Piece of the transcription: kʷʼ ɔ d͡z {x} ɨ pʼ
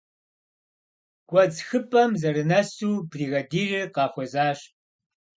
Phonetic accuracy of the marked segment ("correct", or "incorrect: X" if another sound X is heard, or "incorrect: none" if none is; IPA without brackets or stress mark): correct